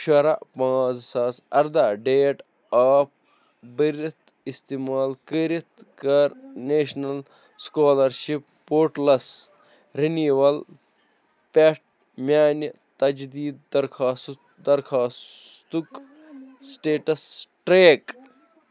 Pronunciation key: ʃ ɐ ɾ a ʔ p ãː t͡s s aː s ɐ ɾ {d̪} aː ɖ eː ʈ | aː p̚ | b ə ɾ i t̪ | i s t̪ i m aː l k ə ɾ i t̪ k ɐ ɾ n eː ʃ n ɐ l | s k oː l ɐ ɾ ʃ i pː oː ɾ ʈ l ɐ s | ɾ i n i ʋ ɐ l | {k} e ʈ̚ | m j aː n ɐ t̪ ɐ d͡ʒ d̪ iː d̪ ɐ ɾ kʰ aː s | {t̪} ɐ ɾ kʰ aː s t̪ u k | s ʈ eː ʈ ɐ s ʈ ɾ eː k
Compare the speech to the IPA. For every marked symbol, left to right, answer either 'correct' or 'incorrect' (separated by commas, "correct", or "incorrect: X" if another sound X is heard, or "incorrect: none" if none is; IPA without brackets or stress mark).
correct, incorrect: p, incorrect: d̪